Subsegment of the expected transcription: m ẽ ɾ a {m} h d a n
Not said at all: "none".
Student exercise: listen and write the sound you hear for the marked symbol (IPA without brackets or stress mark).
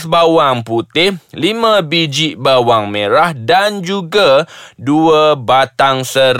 none